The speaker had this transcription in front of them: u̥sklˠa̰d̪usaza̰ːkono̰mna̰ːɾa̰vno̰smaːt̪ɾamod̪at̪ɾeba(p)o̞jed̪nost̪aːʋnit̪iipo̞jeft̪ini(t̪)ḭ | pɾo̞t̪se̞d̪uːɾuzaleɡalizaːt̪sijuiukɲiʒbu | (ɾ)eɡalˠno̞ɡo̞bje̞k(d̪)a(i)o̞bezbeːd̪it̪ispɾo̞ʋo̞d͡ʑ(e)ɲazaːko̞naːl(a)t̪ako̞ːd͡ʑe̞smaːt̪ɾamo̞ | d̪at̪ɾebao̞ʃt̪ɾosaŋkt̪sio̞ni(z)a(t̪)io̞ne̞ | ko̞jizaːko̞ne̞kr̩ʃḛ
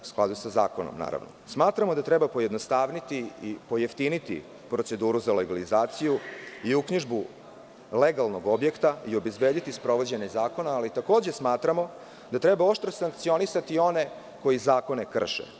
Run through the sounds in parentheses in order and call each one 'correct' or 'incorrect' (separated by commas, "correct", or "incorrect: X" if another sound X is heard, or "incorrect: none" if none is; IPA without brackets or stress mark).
correct, correct, incorrect: l, incorrect: t̪, correct, correct, incorrect: i, incorrect: s, correct